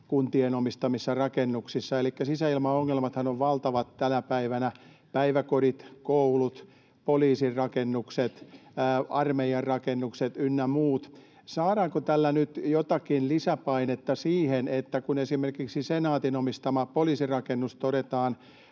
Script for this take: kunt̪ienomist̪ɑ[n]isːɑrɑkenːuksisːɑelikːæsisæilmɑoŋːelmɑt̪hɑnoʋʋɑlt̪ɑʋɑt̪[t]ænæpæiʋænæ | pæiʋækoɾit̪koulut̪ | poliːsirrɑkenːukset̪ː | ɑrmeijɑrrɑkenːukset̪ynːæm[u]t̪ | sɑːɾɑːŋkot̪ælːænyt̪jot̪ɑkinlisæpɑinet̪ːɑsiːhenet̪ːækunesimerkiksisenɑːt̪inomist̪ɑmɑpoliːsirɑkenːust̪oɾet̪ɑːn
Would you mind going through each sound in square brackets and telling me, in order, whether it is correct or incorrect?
incorrect, correct, incorrect

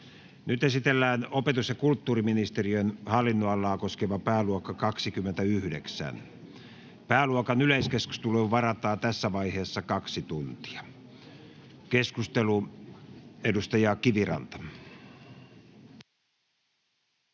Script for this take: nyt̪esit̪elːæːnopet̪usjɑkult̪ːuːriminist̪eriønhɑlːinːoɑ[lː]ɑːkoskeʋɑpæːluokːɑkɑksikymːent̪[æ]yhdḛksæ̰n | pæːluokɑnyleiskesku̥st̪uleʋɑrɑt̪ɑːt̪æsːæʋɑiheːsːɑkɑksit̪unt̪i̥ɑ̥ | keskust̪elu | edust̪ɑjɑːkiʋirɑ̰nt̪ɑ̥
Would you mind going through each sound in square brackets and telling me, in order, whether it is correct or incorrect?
correct, correct

